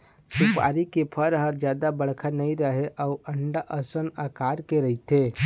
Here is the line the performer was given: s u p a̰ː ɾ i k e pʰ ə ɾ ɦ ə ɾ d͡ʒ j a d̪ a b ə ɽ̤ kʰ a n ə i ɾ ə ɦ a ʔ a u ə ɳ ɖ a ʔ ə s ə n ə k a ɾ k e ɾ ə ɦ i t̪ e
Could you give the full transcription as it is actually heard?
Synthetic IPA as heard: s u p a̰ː ɾ i k e pʰ ə ɾ ɦ ə ɾ d͡ʒ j a d̪ a b ə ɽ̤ kʰ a n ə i ɾ ə ɦ e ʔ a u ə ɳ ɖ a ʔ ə s ə n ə k a ɾ k e ɾ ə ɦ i t̪ e

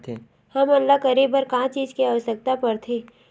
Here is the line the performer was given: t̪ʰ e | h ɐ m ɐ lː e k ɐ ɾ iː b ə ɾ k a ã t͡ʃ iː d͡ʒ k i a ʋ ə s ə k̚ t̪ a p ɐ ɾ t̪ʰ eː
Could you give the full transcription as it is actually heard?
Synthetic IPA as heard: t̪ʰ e | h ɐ m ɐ lː a k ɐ ɾ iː b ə ɾ k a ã t͡ʃ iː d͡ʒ k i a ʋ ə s ə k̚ t̪ a p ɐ ɾ t̪ʰ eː

